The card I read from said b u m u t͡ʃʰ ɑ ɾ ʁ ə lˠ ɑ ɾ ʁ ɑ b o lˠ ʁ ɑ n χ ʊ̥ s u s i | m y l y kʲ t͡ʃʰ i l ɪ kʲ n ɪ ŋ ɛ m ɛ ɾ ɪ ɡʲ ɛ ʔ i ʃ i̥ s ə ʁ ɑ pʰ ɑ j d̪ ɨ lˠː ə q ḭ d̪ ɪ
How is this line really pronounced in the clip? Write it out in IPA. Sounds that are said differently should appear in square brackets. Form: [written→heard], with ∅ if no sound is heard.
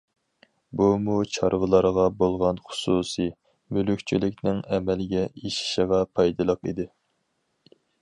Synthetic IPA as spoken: b u m u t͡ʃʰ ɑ ɾ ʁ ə lˠ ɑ ɾ ʁ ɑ b o lˠ ʁ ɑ n χ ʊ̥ s u s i | m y l y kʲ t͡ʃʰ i l ɪ kʲ n ɪ ŋ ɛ m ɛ [ɾ→l] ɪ ɡʲ ɛ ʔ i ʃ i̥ [s→ʃ] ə ʁ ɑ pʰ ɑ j d̪ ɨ [lˠː→lˠ] ə q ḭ d̪ ɪ